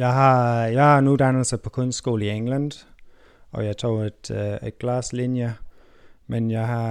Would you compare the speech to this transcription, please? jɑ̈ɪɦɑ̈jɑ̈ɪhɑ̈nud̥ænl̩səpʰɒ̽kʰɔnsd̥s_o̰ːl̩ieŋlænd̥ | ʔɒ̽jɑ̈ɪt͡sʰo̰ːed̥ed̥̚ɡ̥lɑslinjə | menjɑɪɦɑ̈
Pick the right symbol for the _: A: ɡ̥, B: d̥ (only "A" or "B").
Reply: A